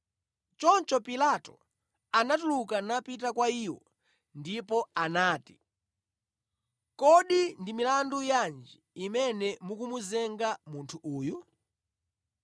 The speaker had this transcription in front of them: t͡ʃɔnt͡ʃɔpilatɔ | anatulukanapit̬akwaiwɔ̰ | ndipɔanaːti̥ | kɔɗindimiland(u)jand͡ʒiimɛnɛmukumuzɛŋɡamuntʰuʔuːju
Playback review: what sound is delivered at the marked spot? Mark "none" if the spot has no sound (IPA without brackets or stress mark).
u